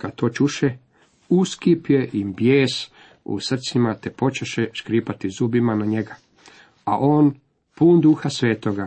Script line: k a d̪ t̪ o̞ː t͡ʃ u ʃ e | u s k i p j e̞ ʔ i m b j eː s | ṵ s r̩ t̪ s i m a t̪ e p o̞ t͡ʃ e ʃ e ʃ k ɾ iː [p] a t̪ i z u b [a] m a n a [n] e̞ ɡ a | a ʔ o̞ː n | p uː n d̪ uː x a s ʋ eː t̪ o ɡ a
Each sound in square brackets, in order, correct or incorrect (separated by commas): correct, incorrect, incorrect